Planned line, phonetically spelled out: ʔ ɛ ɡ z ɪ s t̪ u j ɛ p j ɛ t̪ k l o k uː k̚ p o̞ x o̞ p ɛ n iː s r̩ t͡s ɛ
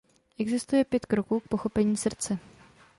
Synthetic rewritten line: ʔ ɛ ɡ z ɪ s t̪ u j ɛ p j ɛ t̪ k ɾ o k uː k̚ p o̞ x o̞ p ɛ ɲ iː s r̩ t͡s ɛ